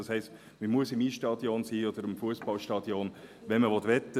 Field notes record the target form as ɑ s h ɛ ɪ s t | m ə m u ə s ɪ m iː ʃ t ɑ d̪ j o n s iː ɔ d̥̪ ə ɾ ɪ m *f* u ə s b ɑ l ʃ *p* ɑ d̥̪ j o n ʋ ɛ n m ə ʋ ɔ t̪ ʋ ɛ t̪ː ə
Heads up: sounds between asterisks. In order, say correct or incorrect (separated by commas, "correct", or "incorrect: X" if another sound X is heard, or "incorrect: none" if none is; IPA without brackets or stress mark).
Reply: correct, incorrect: t